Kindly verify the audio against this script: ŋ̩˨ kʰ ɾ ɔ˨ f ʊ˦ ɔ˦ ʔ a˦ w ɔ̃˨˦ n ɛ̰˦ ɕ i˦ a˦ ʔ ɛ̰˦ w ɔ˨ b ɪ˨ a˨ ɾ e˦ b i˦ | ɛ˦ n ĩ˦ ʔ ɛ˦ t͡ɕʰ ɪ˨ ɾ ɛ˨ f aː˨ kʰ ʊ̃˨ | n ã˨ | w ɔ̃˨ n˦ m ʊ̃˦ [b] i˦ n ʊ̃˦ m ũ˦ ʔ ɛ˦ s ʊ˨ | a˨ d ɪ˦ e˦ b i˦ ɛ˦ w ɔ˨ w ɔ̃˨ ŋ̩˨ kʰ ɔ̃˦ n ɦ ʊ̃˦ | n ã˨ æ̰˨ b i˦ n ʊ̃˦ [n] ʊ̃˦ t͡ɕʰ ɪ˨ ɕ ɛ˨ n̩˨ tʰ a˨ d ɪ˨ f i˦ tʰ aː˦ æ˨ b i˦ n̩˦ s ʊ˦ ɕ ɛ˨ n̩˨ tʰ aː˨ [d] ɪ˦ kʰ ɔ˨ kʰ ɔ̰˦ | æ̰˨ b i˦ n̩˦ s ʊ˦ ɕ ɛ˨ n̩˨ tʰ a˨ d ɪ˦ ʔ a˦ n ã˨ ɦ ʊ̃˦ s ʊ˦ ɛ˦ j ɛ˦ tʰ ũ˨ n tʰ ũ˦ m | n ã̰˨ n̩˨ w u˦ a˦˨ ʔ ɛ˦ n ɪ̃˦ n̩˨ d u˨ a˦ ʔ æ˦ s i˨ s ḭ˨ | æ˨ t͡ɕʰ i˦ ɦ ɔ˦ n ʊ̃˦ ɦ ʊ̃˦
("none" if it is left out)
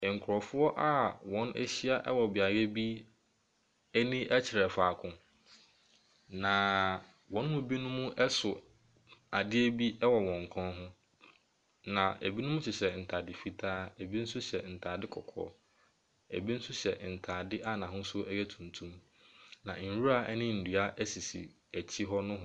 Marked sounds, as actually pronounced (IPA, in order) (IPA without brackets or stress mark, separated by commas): b, m, d